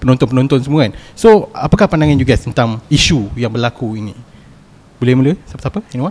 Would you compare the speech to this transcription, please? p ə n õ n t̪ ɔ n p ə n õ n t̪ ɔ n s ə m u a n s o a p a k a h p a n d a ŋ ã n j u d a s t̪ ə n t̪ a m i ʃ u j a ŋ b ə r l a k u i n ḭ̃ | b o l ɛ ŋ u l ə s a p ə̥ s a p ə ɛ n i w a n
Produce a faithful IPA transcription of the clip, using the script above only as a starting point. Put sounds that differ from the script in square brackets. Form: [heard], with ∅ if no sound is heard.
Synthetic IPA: p ə n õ n t̪ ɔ n p ə n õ n t̪ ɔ n s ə m u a n s o a p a k a h p a n d a ŋ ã n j u [ɡ] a s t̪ ə n t̪ a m i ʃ u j a ŋ b ə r l a k u i n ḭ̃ | b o l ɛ [m] u l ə s a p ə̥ s a p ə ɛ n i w a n